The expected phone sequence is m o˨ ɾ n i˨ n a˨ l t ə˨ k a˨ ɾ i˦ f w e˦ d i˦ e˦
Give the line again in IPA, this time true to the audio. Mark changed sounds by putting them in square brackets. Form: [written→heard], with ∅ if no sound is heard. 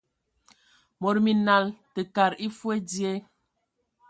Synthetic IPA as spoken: m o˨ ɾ [n→m] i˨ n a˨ l t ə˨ k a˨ ɾ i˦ f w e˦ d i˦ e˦